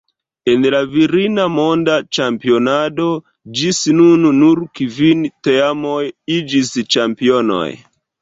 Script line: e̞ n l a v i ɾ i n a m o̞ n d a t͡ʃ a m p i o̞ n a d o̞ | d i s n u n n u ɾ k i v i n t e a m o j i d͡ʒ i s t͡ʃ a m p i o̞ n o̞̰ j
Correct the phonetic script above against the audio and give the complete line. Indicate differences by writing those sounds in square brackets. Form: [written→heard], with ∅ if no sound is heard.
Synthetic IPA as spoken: e̞ n l a v i ɾ i n a m o̞ n d a t͡ʃ a m p i o̞ n a d o̞ | [d→d͡ʒ] i s n u n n u ɾ k i v i n t e a m o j i d͡ʒ i s t͡ʃ a m p i o̞ n o̞̰ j